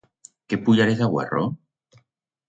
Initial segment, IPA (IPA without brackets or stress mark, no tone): k